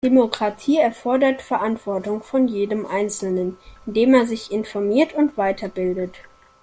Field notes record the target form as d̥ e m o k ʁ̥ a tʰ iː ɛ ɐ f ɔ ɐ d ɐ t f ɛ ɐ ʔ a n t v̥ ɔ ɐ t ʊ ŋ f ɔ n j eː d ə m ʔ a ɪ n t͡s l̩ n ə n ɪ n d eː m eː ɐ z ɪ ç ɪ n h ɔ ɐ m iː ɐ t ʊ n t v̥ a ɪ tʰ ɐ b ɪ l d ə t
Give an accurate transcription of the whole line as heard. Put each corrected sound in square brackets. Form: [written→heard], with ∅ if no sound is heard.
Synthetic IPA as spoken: d̥ e m o k ʁ̥ a tʰ iː ɛ ɐ f ɔ ɐ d ɐ t f ɛ ɐ ʔ a n t v̥ ɔ ɐ t ʊ ŋ f ɔ n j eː d ə m ʔ a ɪ n t͡s l̩ n ə n ɪ n d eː m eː ɐ z ɪ ç ɪ n [h→f] ɔ ɐ m iː ɐ t ʊ n t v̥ a ɪ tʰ ɐ b ɪ l d ə t